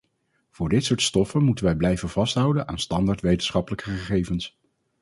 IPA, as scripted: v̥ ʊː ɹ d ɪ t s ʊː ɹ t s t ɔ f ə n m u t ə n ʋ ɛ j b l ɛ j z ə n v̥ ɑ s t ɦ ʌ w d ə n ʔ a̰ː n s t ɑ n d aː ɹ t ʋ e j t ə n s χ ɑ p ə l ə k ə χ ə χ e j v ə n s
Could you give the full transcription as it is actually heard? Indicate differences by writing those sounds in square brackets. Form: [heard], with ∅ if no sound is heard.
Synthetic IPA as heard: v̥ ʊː ɹ d ɪ t s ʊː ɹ t s t ɔ f ə n m u t ə n ʋ ɛ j b l ɛ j [v] ə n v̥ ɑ s t ɦ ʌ w d ə n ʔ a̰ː n s t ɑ n d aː ɹ t ʋ e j t ə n s χ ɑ p ə l ə k ə χ ə χ e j v ə n s